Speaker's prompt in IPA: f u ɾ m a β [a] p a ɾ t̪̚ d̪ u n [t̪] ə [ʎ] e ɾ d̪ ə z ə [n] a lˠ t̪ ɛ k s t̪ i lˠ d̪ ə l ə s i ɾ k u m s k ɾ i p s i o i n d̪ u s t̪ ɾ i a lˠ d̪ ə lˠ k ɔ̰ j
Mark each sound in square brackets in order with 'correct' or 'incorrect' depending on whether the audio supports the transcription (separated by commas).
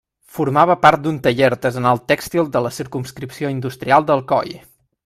incorrect, correct, correct, correct